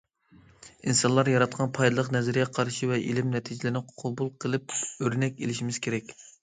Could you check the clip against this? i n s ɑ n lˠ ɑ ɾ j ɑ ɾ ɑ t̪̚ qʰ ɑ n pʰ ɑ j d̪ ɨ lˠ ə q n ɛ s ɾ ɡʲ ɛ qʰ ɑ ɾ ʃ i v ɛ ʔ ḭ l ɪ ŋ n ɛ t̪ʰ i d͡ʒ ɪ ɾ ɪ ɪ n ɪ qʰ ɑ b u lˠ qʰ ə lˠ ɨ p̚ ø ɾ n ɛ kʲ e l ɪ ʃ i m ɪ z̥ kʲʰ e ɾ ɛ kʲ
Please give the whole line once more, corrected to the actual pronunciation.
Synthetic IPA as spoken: i n s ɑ n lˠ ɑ ɾ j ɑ ɾ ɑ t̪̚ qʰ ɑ n pʰ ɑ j d̪ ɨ lˠ ə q n ɛ z ɾ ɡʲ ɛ qʰ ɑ ɾ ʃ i v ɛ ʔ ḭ l ɪ m n ɛ t̪ʰ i d͡ʒ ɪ l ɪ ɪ n ɪ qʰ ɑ b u lˠ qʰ ə lˠ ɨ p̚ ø ɾ n ɛ kʲ e l ɪ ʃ i m ɪ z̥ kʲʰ e ɾ ɛ kʲ